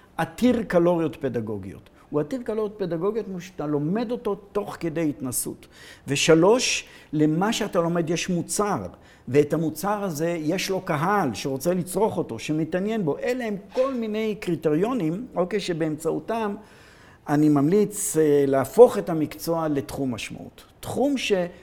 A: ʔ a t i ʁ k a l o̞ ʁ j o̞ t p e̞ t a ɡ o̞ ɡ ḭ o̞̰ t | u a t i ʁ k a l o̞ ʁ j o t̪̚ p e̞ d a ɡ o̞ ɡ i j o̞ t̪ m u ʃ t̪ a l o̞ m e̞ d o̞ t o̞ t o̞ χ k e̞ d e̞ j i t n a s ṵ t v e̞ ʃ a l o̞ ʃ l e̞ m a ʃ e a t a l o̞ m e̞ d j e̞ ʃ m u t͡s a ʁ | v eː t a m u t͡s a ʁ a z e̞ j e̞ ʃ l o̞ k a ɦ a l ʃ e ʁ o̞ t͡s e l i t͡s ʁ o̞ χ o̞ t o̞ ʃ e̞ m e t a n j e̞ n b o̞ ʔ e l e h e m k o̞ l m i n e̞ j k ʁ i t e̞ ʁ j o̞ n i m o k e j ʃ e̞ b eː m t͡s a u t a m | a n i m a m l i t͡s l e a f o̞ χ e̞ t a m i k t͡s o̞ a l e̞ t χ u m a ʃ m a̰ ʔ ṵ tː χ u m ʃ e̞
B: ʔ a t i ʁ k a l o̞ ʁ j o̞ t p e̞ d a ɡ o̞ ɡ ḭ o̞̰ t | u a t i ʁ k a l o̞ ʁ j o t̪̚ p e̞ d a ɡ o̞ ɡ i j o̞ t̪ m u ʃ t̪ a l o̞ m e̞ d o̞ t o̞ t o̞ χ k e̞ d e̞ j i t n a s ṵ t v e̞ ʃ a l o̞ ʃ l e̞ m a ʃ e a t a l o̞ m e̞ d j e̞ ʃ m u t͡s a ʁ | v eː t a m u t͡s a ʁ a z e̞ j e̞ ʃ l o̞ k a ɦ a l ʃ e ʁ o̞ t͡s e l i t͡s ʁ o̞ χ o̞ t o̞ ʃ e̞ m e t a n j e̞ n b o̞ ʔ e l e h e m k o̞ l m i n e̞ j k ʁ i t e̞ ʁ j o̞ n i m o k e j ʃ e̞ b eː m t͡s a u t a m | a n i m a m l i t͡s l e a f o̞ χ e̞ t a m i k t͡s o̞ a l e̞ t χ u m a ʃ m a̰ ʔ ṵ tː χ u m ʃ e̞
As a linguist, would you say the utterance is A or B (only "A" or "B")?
B